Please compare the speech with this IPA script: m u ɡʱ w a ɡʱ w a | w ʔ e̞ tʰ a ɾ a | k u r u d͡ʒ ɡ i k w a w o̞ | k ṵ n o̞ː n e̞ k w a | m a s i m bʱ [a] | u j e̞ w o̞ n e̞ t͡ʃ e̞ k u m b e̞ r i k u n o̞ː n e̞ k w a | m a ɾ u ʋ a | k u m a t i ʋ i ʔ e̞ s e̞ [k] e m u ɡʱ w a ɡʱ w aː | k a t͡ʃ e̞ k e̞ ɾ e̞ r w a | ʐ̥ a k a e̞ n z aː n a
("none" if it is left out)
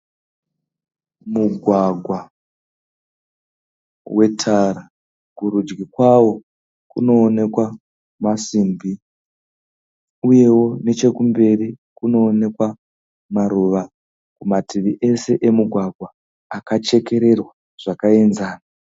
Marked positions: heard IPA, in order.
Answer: i, ʔ

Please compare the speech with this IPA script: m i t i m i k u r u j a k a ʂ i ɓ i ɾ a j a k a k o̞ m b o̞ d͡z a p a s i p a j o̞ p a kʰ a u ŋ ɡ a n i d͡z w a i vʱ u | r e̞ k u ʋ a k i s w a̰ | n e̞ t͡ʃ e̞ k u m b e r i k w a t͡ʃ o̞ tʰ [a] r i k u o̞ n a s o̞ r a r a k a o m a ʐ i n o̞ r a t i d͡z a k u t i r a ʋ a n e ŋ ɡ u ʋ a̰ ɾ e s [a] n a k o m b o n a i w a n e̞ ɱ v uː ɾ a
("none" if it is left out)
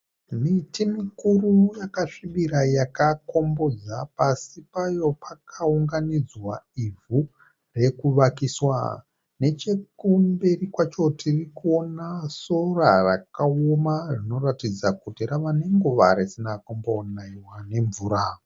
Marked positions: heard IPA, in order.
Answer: i, i

